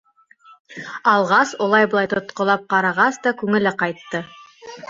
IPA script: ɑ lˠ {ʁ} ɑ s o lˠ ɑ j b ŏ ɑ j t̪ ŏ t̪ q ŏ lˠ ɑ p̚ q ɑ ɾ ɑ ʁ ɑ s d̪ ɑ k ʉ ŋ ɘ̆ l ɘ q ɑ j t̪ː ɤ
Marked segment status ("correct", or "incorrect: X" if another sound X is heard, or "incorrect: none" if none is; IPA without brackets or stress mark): correct